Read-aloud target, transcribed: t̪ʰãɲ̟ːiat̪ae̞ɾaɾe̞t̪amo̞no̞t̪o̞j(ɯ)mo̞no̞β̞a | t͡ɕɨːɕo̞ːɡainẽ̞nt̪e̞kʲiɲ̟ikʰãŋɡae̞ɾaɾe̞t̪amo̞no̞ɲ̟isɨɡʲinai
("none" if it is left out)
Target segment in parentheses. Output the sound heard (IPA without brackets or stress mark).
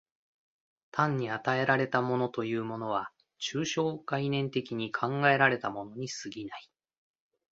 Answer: ɯː